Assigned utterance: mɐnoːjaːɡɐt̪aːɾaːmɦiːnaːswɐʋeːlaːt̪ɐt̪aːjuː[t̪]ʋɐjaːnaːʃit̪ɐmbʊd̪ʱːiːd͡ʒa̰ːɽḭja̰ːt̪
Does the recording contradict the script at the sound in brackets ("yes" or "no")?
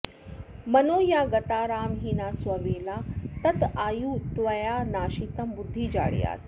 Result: no